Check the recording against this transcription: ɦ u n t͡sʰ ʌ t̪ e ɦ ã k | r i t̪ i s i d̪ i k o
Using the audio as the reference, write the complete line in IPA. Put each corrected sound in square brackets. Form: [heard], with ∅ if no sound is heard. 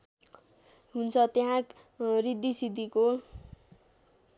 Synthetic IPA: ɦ u n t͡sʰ ʌ t̪ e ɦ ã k | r i [d̪] i s i d̪ i k o